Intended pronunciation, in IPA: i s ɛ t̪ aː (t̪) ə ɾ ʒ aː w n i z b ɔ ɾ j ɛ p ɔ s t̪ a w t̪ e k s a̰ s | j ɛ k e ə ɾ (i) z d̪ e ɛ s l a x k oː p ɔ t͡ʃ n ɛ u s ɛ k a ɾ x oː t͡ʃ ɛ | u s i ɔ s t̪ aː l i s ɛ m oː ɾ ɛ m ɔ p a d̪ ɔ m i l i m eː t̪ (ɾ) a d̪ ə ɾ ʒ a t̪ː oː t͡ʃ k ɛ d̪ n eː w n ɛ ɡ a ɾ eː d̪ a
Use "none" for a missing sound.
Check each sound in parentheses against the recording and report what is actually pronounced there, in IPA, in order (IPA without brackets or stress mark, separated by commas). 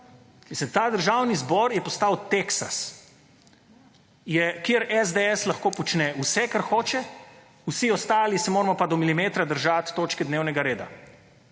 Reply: d̪, ɛ, ɾ